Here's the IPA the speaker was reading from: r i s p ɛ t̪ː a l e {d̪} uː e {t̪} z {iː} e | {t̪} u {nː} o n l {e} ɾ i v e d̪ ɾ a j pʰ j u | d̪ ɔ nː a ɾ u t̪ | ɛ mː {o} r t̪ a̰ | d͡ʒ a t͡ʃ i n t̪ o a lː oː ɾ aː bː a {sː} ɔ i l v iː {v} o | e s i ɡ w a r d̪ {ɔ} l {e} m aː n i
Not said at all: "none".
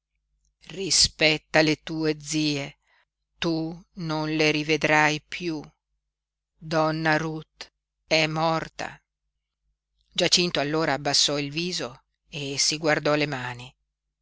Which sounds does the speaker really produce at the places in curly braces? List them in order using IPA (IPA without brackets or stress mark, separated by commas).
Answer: t̪, d̪, iː, t̪, n, e, ɔ, sː, z, ɔ, e